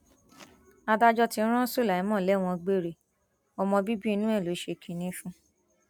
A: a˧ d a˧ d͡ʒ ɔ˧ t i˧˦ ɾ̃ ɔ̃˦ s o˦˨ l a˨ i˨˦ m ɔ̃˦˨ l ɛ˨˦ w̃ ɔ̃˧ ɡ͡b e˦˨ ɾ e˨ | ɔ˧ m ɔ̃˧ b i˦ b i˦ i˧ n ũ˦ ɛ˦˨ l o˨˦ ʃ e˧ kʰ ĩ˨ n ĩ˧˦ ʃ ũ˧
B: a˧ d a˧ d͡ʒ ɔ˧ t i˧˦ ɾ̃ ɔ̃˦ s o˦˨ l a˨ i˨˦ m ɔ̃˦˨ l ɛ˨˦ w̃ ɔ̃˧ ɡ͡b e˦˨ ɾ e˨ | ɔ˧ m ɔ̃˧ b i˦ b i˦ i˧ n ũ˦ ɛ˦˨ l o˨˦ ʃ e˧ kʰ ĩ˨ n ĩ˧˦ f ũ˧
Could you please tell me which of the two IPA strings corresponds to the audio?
B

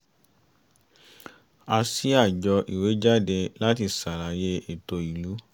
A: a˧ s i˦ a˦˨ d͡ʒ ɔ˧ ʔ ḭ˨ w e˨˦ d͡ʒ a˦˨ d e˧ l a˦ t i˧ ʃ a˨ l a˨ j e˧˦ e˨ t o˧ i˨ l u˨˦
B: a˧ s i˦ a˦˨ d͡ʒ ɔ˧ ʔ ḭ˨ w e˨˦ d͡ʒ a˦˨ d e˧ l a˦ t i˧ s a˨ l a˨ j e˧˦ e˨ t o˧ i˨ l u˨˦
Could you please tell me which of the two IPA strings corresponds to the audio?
B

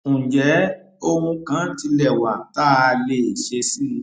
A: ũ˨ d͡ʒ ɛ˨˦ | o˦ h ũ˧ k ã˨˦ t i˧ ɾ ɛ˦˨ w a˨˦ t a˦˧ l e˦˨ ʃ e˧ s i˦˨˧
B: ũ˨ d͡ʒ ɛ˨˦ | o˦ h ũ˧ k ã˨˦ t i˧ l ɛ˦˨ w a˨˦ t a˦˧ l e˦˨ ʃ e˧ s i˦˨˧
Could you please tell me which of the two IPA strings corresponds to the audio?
B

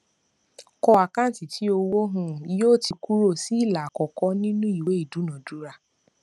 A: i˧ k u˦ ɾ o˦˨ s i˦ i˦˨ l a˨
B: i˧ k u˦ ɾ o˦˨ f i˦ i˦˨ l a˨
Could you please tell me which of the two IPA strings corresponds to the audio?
A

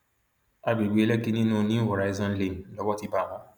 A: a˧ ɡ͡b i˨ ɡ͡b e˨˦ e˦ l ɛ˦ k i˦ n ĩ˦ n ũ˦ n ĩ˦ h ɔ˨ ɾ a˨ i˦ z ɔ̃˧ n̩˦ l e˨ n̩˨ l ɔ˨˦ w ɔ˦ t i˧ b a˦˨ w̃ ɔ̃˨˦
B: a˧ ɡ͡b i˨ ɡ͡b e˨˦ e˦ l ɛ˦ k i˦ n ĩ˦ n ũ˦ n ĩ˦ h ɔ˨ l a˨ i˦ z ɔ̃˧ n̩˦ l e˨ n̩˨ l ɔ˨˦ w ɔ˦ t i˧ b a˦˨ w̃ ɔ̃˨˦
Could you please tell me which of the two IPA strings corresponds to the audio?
A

